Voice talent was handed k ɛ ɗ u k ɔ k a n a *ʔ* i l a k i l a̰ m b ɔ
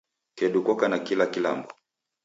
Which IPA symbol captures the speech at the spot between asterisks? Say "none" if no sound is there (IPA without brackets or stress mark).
k